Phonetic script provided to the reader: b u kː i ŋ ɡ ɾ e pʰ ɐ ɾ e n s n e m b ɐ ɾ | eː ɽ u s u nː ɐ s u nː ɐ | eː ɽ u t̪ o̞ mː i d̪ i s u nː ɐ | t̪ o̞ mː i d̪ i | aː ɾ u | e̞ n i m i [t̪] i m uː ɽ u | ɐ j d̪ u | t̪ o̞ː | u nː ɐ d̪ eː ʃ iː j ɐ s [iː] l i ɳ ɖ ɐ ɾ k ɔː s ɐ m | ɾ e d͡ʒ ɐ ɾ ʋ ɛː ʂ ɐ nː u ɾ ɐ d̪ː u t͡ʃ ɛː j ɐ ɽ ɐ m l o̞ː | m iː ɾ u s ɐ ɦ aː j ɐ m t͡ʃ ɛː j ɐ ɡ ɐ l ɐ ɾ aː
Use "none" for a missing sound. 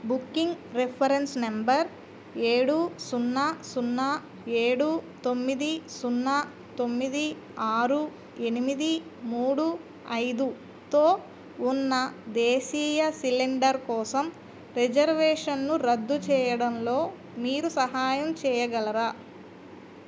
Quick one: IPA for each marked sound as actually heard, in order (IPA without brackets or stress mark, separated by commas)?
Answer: d̪, i